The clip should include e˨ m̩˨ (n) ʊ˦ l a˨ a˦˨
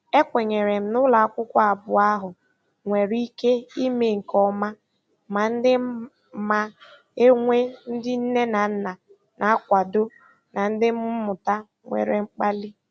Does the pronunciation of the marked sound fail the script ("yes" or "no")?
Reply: no